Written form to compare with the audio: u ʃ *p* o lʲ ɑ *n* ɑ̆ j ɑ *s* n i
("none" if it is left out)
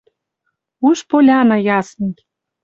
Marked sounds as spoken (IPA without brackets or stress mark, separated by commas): p, n, s